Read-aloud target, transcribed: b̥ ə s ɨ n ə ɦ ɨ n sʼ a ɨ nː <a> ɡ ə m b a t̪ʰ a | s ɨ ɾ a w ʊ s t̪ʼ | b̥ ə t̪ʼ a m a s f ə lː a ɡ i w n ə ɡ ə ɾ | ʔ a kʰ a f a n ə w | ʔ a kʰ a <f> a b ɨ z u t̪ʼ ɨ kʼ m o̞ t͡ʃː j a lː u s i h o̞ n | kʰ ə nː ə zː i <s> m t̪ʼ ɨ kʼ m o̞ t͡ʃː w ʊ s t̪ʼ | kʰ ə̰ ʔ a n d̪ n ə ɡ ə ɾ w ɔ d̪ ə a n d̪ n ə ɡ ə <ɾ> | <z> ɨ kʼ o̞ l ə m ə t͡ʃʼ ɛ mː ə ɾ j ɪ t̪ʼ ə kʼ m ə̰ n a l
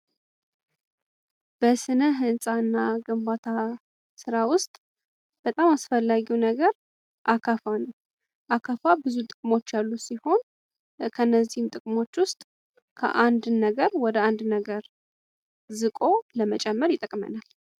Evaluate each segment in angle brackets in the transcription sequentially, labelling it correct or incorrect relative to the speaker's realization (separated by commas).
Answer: correct, correct, incorrect, correct, correct